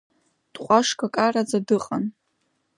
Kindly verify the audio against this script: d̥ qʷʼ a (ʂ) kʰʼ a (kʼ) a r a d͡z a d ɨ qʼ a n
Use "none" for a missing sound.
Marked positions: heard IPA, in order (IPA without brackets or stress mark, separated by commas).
ʂ, kʼ